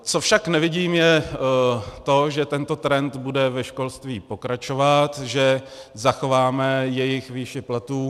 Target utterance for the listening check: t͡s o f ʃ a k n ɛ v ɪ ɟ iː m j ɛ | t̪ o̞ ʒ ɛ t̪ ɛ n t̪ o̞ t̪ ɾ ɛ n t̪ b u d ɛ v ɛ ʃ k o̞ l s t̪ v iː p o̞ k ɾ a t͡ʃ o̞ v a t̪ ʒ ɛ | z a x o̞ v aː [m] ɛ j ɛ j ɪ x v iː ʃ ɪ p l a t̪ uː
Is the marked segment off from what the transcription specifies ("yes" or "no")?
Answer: no